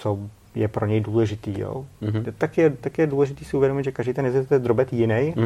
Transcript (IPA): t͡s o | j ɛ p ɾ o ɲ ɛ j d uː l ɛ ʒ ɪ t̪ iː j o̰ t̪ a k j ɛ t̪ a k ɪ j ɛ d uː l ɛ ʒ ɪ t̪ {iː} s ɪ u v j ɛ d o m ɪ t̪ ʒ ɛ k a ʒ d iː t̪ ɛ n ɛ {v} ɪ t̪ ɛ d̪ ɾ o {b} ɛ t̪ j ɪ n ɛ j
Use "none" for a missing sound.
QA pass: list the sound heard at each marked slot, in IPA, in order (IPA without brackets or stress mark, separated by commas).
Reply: iː, z, b